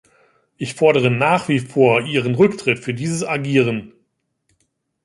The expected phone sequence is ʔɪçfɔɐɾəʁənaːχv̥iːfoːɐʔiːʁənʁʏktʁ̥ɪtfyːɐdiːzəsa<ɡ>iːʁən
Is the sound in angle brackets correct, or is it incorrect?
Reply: correct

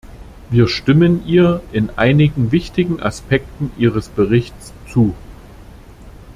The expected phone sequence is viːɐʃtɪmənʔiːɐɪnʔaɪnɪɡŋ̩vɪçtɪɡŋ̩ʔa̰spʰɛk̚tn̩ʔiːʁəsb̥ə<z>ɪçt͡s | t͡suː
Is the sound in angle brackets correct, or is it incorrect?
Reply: incorrect: ʁ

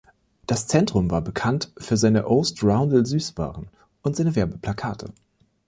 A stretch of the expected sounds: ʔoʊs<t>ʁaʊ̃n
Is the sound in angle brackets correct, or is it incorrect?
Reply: correct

